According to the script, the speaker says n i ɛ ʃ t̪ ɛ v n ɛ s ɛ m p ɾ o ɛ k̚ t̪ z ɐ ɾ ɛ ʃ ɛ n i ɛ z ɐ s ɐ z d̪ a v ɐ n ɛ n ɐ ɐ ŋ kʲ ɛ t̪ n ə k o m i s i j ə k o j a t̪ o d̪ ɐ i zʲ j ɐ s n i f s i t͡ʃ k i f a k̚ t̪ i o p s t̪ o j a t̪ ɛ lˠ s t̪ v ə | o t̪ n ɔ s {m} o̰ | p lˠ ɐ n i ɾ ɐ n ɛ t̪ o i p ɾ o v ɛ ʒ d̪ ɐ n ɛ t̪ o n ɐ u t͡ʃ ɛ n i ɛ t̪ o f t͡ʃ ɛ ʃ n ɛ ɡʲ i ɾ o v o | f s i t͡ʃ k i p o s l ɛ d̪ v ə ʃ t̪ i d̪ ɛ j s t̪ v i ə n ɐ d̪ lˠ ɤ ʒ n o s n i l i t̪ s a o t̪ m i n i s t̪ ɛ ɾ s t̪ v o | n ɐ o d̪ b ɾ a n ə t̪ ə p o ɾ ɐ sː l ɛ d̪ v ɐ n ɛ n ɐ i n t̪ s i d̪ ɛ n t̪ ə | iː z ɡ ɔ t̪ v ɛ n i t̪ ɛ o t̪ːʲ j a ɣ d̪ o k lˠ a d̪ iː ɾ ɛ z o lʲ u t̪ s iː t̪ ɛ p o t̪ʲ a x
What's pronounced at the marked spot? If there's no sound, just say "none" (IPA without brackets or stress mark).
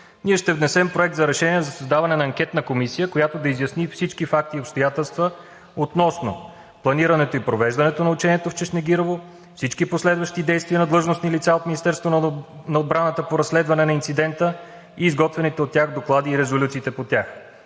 n